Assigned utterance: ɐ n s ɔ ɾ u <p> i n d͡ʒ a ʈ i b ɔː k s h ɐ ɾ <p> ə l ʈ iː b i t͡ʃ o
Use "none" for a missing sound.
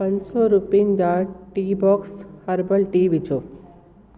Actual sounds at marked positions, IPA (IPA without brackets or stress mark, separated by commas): p, b